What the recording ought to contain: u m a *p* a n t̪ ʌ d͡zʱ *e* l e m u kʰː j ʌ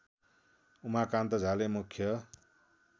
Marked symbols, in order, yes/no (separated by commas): no, no